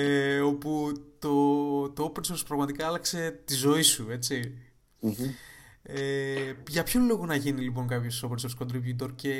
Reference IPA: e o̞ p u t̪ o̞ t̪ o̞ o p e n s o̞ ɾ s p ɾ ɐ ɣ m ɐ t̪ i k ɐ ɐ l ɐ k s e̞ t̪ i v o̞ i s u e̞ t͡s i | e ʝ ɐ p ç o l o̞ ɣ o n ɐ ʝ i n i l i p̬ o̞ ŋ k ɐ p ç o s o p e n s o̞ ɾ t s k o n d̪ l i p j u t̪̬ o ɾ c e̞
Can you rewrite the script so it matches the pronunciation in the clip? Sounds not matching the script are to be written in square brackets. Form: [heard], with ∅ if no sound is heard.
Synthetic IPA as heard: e o̞ p u t̪ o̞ t̪ o̞ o p e n s o̞ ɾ s p ɾ ɐ ɣ m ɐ t̪ i k ɐ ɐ l ɐ k s e̞ t̪ i [z] o̞ i s u e̞ t͡s i | e ʝ ɐ p ç o l o̞ ɣ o n ɐ ʝ i n i l i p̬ o̞ ŋ k ɐ p ç o s o p e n s o̞ ɾ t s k o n d̪ [ɾ] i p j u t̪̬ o ɾ c e̞